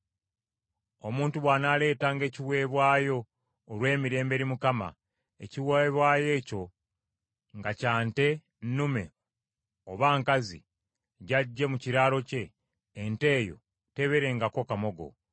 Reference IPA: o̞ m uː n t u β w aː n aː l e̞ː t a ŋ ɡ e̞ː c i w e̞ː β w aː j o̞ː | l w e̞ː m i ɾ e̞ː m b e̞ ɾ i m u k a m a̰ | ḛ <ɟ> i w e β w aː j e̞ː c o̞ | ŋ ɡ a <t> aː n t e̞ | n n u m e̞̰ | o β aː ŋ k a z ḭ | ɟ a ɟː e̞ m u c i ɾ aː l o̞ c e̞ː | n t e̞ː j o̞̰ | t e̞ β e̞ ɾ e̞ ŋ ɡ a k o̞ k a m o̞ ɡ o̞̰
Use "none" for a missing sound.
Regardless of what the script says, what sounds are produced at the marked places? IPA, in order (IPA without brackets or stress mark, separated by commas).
c, c